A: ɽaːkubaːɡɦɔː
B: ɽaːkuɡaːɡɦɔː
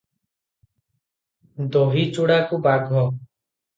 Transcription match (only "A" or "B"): A